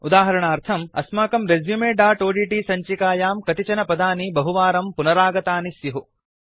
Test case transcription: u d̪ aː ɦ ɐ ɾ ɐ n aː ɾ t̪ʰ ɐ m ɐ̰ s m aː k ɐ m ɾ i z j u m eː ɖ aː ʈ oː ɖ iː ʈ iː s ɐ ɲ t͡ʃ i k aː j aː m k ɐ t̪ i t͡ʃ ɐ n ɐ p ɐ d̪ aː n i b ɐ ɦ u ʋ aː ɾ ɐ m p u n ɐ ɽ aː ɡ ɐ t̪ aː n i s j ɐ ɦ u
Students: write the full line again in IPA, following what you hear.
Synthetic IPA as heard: u d̪ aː ɦ ɐ ɾ ɐ ɳ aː ɾ t̪ʰ ɐ m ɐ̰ s m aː k ɐ m ɾ e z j u m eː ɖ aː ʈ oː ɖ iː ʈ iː s ɐ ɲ t͡ʃ i k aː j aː m k ɐ t̪ i t͡ʃ ɐ n ɐ p ɐ d̪ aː n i b ɐ ɦ u ʋ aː ɾ ɐ m p u n ɐ ɾ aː ɡ ɐ t̪ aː n i s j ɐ ɦ u